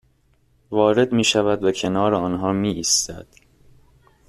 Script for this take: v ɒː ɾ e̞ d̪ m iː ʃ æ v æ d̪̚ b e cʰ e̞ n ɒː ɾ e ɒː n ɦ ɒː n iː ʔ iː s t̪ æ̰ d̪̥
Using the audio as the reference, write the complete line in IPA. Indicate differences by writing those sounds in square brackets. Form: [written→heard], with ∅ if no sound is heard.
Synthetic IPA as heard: v ɒː ɾ e̞ d̪ m iː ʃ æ v æ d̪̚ b e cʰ e̞ n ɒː ɾ e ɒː n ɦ ɒː [n→m] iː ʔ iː s t̪ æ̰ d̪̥